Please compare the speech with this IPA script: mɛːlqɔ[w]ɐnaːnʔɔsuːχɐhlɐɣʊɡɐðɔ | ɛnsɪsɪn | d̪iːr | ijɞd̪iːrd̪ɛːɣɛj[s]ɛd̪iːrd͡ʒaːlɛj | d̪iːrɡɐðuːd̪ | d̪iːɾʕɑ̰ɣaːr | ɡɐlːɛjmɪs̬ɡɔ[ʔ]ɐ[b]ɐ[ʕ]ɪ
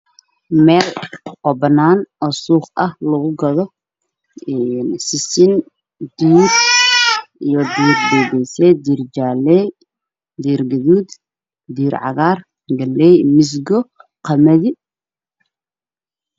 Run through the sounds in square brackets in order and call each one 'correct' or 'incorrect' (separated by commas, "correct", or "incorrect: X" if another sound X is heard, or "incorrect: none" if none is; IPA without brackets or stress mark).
incorrect: b, correct, incorrect: q, incorrect: m, incorrect: ð